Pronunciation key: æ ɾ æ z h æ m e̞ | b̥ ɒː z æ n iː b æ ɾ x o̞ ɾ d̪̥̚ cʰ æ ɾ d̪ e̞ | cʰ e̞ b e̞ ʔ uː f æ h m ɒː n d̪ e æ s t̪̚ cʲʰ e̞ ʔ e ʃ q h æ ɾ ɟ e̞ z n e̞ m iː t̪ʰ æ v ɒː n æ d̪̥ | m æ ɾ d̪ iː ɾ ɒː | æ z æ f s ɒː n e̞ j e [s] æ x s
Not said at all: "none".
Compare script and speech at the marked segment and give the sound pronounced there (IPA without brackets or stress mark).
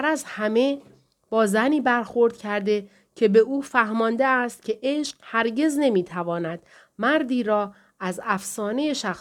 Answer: ʃ